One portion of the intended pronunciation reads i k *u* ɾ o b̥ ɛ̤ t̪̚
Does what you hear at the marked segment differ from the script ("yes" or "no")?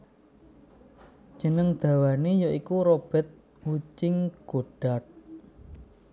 no